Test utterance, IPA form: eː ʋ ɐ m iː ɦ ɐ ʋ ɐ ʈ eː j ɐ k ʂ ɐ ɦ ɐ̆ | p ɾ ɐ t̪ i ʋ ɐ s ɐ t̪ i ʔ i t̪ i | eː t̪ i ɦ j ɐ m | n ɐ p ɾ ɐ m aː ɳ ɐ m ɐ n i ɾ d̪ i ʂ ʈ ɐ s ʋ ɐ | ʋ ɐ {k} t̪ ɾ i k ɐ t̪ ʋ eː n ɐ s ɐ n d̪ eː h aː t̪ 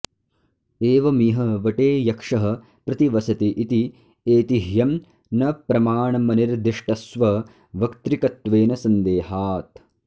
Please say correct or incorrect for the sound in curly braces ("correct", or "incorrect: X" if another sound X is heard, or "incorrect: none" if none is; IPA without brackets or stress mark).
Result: correct